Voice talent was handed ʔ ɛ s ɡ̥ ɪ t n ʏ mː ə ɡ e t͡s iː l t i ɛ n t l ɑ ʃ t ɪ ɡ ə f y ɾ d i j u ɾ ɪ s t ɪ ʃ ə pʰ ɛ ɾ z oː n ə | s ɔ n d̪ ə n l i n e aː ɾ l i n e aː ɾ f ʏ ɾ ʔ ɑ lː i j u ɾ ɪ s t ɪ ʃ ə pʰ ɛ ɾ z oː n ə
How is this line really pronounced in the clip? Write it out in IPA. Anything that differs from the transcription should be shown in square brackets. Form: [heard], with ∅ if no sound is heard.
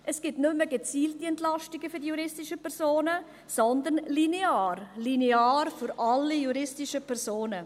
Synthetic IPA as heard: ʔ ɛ s ɡ̥ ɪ t n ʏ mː ə ɡ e t͡s iː l t i ɛ n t l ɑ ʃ t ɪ ɡ ə f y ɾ d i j u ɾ ɪ s t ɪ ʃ ə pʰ ɛ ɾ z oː n ə | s ɔ n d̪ ə n l i n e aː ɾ l i n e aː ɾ f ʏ ɾ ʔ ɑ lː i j u ɾ ɪ s t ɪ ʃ ə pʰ ɛ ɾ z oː n ə

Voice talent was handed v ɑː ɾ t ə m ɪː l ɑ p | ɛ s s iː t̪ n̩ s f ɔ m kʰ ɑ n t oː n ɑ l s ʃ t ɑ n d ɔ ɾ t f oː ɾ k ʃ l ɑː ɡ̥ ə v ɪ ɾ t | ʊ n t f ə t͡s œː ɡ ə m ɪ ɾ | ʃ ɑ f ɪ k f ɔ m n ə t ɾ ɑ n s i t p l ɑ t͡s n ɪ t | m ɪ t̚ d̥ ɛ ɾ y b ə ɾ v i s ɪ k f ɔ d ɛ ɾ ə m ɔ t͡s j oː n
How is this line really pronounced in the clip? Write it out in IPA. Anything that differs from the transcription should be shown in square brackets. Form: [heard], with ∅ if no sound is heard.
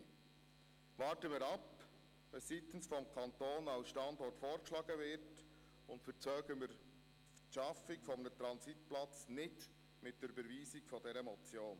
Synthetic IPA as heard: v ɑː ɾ t ə m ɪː [ɾ] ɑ p | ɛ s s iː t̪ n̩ s f ɔ m kʰ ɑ n t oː n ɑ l s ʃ t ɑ n d ɔ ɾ t f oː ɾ k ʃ l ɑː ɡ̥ ə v ɪ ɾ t | ʊ n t f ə t͡s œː ɡ ə m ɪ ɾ | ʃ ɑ f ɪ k f ɔ m n ə t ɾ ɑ n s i t p l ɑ t͡s n ɪ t | m ɪ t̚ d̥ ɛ ɾ y b ə ɾ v [iː] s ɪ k f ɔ d ɛ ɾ ə m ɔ t͡s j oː n

